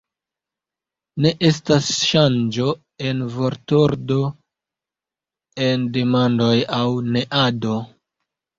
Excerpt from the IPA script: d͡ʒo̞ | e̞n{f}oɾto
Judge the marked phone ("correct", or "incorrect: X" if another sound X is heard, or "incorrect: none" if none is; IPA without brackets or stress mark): incorrect: v